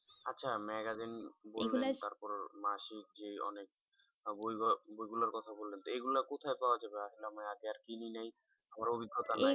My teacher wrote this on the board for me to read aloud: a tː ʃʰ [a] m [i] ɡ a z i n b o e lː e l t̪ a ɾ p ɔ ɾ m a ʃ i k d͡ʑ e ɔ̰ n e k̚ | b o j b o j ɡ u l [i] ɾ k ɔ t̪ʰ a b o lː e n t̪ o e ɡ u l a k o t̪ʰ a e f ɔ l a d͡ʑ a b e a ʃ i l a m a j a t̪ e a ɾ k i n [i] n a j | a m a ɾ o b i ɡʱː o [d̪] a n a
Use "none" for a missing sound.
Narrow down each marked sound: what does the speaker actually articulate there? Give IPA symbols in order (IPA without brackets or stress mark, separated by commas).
a, ɛ, a, i, t̪